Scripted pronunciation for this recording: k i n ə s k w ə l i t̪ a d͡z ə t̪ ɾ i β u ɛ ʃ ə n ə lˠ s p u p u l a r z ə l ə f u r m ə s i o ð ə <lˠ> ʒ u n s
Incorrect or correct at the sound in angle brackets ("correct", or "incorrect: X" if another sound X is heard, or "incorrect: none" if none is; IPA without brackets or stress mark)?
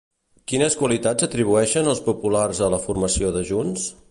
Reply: incorrect: none